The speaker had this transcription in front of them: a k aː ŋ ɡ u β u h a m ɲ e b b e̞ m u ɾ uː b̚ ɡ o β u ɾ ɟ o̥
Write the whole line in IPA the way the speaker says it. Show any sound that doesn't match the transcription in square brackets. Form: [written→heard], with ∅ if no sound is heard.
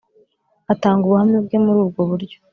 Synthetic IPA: a [k→t] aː ŋ ɡ u β u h a m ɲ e b [b→ɡ] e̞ m u ɾ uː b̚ ɡ o β u ɾ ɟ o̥